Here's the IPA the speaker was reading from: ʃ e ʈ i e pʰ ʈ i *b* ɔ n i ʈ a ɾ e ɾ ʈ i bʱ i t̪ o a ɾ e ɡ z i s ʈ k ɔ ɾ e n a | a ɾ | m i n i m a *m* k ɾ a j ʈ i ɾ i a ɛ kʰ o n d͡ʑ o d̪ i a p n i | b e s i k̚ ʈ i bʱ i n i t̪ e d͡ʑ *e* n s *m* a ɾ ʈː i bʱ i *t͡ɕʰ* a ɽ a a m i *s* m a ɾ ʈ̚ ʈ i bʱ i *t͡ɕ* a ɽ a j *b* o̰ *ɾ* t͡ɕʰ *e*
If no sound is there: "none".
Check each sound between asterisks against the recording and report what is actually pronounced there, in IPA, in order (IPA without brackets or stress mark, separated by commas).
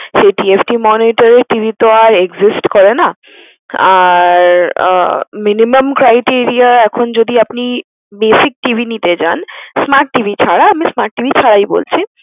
m, m, a, m, t͡ɕʰ, s, t͡ɕʰ, b, l, i